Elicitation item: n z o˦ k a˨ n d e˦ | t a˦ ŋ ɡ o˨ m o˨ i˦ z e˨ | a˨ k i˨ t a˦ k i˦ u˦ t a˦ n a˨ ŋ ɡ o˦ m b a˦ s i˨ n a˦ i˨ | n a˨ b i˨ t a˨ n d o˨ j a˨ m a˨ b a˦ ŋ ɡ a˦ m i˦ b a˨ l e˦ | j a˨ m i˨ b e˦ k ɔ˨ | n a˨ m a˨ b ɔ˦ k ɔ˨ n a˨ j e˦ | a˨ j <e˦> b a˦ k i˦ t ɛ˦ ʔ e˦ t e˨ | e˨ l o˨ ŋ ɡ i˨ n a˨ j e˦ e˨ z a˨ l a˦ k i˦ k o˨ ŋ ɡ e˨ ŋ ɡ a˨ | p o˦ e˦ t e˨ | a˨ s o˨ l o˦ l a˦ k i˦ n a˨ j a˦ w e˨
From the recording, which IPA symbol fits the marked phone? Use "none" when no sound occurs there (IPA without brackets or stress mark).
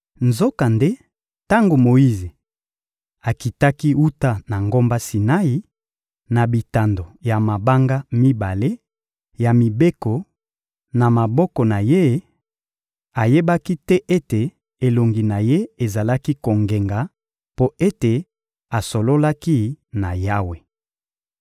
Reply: e˦